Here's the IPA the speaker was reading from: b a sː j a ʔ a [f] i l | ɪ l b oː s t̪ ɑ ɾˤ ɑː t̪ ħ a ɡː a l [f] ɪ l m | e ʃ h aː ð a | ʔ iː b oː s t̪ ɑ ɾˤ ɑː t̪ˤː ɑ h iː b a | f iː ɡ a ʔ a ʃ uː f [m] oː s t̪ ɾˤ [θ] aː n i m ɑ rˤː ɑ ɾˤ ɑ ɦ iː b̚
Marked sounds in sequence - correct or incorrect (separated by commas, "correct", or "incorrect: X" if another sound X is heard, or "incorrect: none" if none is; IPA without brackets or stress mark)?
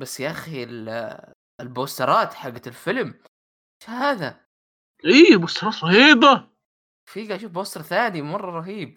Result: incorrect: x, correct, incorrect: b, correct